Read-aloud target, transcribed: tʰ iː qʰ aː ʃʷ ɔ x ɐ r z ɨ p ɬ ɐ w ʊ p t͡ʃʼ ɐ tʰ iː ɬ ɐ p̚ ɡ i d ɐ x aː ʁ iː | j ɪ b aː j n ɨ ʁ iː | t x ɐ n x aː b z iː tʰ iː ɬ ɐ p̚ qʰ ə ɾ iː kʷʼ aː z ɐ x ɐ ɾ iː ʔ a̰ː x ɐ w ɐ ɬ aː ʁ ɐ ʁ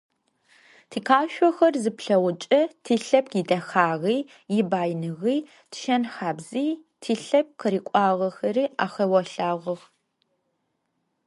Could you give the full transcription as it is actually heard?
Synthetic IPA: tʰ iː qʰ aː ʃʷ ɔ x ɐ r z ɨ p ɬ ɐ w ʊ t͡ʃʼ ɐ tʰ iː ɬ ɐ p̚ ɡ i d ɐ x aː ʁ iː | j ɪ b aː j n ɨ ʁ iː | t ʃ ɐ n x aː b z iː tʰ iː ɬ ɐ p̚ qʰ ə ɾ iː kʷʼ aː ʁ ɐ x ɐ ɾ iː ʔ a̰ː x ɐ w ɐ ɬ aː ʁ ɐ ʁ